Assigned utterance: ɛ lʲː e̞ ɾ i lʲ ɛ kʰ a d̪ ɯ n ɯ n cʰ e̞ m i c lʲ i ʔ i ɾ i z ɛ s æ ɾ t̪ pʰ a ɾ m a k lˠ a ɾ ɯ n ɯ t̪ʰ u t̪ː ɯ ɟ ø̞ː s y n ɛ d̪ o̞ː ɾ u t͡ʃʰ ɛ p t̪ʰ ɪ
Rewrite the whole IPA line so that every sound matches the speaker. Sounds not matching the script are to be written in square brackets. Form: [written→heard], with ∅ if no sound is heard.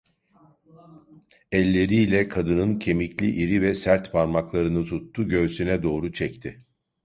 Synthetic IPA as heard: ɛ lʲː e̞ ɾ i lʲ ɛ kʰ a d̪ ɯ n ɯ n cʰ e̞ m i c lʲ i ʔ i ɾ i [z→v] ɛ s æ ɾ t̪ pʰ a ɾ m a k lˠ a ɾ ɯ n ɯ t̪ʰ u t̪ː [ɯ→u] ɟ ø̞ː s y n ɛ d̪ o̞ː ɾ u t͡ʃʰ ɛ [p→c] t̪ʰ ɪ

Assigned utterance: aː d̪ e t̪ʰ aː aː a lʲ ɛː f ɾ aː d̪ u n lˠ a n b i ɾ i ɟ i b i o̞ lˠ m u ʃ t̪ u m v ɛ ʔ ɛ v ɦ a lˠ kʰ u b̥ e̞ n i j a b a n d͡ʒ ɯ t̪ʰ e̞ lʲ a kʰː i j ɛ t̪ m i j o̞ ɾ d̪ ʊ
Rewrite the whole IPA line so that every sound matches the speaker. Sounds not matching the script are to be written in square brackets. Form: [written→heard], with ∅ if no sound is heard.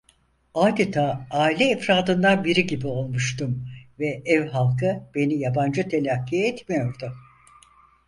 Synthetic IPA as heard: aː d̪ e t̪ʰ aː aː [a→i] lʲ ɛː f ɾ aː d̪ [u→ɯ] n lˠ a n b i ɾ i ɟ i b i o̞ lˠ m u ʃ t̪ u m v ɛ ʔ ɛ v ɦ a lˠ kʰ [u→ɯ] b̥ e̞ n i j a b a n d͡ʒ ɯ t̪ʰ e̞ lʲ a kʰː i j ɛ t̪ m i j o̞ ɾ d̪ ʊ

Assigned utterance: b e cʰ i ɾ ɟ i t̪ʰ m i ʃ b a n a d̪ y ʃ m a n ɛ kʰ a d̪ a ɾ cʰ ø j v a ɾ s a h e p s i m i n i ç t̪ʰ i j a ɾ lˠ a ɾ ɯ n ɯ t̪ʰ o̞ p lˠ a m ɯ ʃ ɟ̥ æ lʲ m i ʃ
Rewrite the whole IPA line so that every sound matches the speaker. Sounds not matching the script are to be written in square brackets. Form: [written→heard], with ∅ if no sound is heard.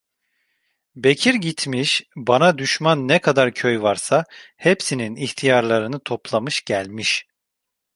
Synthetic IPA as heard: b e cʰ i ɾ ɟ i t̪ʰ m i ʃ b a n a d̪ y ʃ m a [n→nː] ɛ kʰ a d̪ a ɾ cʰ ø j v a ɾ s a h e p s i [m→n] i n i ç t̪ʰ i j a ɾ lˠ a ɾ ɯ n ɯ t̪ʰ o̞ p lˠ a m ɯ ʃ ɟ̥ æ lʲ m i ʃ

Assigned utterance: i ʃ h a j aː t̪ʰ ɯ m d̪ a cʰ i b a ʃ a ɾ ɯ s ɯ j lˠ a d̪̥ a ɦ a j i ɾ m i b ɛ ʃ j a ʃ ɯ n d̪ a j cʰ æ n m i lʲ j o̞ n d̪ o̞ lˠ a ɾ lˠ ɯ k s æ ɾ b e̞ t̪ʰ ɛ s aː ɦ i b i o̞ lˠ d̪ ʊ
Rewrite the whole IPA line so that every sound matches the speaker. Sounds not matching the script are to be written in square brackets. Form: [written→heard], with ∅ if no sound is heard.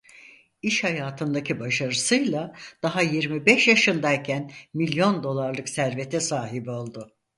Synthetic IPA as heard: i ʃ h a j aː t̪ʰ ɯ [m→n] d̪ a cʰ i b a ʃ a ɾ ɯ s ɯ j lˠ a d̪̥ a ɦ a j i ɾ m i b ɛ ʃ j a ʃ ɯ n d̪ a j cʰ æ n m i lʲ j o̞ n d̪ o̞ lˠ a ɾ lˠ ɯ k s æ ɾ [b→v] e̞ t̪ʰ ɛ s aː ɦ i b i o̞ lˠ d̪ ʊ

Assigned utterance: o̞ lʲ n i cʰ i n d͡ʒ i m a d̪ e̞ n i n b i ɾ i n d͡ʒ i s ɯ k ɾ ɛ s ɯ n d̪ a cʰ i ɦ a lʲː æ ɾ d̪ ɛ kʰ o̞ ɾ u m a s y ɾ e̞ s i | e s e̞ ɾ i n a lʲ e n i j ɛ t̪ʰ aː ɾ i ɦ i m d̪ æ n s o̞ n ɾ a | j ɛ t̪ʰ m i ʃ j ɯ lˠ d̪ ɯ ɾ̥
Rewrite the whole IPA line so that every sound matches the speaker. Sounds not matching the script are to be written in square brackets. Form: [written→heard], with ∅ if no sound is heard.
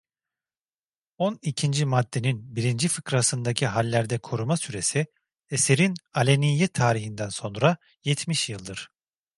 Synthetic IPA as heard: o̞ [lʲ→∅] n i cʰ i n d͡ʒ i m a [d̪→d̪ː] e̞ n i n b i ɾ i n d͡ʒ i [s→f] ɯ k ɾ [ɛ→a] s ɯ n d̪ a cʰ i ɦ a lʲː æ ɾ d̪ ɛ kʰ o̞ ɾ u m a s y ɾ e̞ s i | e s e̞ ɾ i n a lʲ e n i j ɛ t̪ʰ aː ɾ i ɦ i [m→n] d̪ æ n s o̞ n ɾ a | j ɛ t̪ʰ m i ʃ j ɯ lˠ d̪ ɯ ɾ̥

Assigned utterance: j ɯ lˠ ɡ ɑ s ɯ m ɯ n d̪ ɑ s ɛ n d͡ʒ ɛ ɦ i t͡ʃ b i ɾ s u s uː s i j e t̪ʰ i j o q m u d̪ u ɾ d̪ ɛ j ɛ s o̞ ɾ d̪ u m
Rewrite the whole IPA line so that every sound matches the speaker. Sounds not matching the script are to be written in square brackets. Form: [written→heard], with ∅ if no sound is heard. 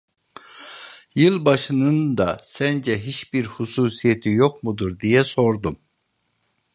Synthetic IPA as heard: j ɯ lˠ [ɡ→b] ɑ [s→ʃ] ɯ [m→n] ɯ n d̪ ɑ s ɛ n d͡ʒ ɛ ɦ i t͡ʃ b i ɾ [s→h] u s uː s i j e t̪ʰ i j o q m u d̪ u ɾ d̪ [ɛ→i] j ɛ s o̞ ɾ d̪ u m

